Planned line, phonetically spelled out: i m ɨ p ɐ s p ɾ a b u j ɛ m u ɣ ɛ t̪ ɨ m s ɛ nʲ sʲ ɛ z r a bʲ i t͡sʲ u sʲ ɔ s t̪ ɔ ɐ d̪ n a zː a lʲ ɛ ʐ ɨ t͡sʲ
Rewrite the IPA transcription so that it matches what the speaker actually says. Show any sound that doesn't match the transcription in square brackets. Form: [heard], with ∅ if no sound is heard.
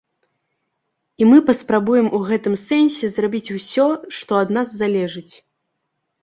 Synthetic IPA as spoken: i m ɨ p ɐ s p ɾ a b u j ɛ m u ɣ ɛ t̪ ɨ m s ɛ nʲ sʲ ɛ z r a bʲ i t͡sʲ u sʲ ɔ [ʂ] t̪ ɔ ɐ d̪ n a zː a lʲ ɛ ʐ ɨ t͡sʲ

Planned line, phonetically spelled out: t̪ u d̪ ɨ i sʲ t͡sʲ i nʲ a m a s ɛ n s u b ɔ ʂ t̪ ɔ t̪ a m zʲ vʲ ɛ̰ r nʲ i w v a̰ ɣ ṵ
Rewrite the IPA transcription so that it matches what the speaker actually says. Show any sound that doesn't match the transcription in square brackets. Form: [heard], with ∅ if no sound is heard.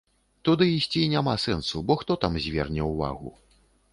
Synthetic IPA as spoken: t̪ u d̪ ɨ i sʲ t͡sʲ i nʲ a m a s ɛ n s u b ɔ [x] t̪ ɔ t̪ a m zʲ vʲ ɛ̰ r nʲ [ɛ] w v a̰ ɣ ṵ

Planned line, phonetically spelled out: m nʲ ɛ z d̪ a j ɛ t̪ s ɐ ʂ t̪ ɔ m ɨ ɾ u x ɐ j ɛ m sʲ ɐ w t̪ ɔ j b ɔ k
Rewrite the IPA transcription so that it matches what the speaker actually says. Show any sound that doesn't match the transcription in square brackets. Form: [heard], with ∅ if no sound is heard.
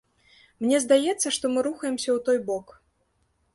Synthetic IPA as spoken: m nʲ ɛ z d̪ a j ɛ t̪ [sː] ɐ ʂ t̪ ɔ m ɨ ɾ u x ɐ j ɛ m sʲ ɐ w t̪ ɔ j b ɔ k

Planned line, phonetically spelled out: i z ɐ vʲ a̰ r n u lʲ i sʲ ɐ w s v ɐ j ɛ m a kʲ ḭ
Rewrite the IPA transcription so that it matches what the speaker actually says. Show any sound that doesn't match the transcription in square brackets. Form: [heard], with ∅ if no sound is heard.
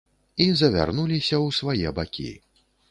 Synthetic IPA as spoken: i z ɐ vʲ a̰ r n u lʲ i sʲ ɐ w s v [a] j ɛ [b] a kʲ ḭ

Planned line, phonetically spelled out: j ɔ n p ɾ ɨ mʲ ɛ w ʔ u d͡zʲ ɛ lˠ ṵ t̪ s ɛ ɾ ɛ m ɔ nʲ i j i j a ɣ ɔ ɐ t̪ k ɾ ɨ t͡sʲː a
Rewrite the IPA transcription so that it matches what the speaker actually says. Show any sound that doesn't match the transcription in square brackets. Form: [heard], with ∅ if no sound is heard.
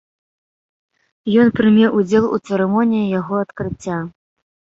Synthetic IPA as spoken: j ɔ n p ɾ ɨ mʲ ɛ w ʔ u d͡zʲ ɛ lˠ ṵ t̪ s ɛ ɾ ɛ m ɔ nʲ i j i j a ɣ ɔ ɐ t̪ k ɾ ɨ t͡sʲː a

